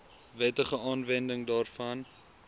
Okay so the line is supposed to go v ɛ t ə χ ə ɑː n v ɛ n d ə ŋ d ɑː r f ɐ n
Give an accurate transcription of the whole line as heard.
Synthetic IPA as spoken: v ɛ t ə χ ə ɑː n v ɛ n d ə ŋ d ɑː r f ɐ n